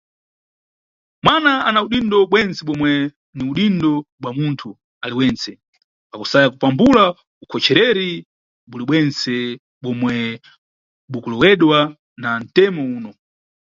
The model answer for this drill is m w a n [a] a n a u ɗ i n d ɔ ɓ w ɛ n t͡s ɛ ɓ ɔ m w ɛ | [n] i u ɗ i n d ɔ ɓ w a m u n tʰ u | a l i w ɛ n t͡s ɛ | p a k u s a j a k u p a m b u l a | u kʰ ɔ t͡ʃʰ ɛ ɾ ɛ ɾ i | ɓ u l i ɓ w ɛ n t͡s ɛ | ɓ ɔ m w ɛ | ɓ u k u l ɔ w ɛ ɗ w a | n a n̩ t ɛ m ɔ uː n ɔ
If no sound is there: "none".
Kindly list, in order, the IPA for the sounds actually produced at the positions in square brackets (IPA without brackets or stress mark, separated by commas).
a, n